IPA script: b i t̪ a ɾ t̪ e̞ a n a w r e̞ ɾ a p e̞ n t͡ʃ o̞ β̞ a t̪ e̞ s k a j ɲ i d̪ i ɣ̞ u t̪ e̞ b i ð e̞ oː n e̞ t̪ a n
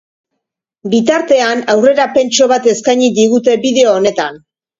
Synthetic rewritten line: b i t̪ a ɾ t̪ e̞ a n a w r e̞ ɾ a p e̞ n t͡ʃ o̞ β̞ a t̪ e̞ s k a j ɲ i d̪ i ɣ̞ u t̪ e̞ b i ð e̞ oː n e̞ t̪ a n